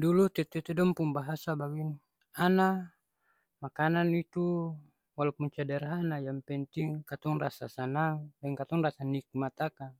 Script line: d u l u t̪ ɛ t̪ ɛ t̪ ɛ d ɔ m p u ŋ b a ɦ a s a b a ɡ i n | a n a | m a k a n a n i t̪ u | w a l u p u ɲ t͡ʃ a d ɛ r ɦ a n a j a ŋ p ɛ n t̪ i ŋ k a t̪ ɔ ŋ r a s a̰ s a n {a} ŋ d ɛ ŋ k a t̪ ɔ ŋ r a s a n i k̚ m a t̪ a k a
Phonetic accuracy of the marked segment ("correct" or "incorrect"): correct